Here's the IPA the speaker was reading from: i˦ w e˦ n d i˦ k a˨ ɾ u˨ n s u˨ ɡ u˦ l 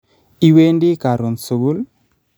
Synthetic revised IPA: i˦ w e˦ n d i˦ k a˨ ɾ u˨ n s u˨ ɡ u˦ l